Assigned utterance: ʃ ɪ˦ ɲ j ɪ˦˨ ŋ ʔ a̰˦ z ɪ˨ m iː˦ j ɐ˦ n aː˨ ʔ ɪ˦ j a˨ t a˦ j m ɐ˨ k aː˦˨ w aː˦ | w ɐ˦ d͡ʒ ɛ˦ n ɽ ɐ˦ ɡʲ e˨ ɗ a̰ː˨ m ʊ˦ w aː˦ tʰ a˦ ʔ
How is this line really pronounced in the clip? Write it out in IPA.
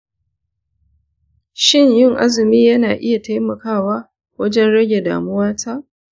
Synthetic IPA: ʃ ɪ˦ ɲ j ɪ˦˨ ŋ ʔ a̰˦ z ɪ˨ m iː˦ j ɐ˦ n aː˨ ʔ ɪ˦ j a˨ t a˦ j m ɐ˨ k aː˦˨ w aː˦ | w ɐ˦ d͡ʒ ɛ˦ n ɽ ɐ˦ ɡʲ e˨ d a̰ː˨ m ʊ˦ w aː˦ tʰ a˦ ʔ